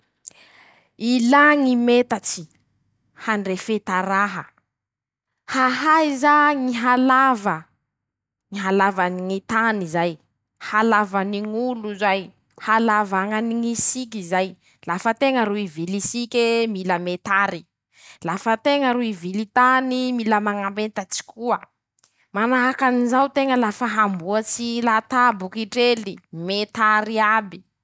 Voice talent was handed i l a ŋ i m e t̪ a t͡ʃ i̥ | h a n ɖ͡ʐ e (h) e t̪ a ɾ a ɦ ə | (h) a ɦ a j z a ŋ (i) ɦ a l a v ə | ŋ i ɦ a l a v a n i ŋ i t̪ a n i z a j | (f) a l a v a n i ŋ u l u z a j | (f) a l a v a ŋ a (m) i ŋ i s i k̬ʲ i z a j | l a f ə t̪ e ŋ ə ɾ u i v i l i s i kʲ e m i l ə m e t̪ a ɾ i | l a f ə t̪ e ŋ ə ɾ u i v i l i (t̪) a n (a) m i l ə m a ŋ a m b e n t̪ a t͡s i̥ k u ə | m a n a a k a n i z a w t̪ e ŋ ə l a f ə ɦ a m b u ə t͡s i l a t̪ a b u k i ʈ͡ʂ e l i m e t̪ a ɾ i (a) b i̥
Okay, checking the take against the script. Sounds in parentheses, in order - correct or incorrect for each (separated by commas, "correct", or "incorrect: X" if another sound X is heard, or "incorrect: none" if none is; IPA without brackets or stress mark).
incorrect: f, correct, correct, incorrect: h, incorrect: h, incorrect: n, correct, incorrect: i, correct